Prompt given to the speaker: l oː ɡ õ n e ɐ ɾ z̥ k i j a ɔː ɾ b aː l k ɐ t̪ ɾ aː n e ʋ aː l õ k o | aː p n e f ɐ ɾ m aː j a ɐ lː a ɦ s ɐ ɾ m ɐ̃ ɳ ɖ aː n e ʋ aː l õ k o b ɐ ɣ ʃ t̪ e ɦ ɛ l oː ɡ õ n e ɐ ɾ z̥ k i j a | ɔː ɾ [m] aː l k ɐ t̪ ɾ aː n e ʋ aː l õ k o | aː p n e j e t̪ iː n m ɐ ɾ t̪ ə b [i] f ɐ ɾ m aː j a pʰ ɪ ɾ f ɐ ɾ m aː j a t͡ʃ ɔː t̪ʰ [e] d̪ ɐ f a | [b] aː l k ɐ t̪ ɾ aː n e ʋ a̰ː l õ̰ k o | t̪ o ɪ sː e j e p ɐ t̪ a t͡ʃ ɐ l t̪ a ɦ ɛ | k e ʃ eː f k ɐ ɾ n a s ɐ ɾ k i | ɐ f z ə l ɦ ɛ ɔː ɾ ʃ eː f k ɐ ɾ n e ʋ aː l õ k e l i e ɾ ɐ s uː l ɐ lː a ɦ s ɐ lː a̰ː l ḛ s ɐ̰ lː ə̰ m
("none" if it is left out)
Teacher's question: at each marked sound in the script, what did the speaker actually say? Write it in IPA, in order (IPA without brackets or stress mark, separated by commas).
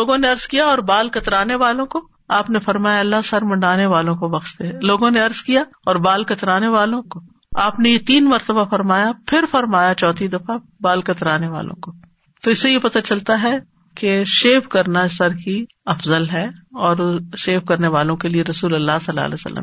b, a, i, b